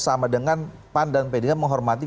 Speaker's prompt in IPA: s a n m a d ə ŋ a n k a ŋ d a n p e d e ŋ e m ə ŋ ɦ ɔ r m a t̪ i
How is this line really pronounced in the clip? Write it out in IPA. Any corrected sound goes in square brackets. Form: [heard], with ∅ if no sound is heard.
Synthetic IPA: s a [∅] m a d ə ŋ a n [p] a [n] d a n p e d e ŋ [a] m ə ŋ ɦ ɔ r m a t̪ i